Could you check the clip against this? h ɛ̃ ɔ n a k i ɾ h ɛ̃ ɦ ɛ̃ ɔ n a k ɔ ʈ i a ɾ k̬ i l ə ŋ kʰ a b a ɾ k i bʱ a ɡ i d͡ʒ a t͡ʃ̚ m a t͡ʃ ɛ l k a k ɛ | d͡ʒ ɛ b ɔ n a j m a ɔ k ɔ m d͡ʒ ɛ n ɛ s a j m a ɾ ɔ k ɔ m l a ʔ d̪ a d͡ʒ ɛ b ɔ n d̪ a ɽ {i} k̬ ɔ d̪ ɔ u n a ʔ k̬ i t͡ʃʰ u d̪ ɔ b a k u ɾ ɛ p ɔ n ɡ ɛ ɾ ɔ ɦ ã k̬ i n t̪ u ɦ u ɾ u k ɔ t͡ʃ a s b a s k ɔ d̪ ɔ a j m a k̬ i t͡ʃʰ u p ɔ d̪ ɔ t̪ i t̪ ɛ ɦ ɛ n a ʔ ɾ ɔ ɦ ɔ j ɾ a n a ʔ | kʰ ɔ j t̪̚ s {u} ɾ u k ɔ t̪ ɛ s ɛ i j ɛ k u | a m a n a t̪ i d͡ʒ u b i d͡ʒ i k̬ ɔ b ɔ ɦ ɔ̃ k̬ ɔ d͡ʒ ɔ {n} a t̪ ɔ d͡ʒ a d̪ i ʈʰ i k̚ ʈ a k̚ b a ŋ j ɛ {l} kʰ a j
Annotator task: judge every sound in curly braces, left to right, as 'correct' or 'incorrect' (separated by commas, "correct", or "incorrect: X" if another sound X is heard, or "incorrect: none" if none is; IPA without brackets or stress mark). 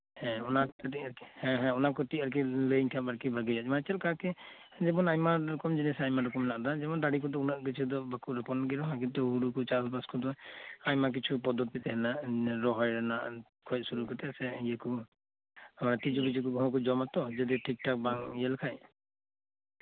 correct, correct, incorrect: m, correct